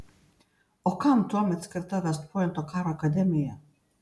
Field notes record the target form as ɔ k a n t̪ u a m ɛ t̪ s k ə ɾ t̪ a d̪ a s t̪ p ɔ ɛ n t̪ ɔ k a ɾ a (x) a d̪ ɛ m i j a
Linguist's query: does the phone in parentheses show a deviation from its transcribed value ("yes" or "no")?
yes